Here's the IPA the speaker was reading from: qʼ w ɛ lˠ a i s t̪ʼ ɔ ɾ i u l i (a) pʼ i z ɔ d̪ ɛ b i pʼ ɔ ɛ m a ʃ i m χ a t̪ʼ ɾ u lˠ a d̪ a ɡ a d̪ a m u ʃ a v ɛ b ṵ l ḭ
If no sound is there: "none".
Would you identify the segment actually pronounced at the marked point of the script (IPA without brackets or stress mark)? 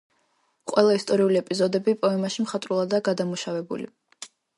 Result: ɛ